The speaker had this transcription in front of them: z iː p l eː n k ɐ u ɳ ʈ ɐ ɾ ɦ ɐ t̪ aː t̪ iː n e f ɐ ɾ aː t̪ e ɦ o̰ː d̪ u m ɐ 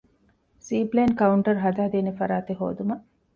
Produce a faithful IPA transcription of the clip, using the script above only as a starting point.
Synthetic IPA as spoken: s iː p l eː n k ɐ u ɳ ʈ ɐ ɾ ɦ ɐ d̪ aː d̪ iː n e f ɐ ɾ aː t̪ e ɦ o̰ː d̪ u m ɐ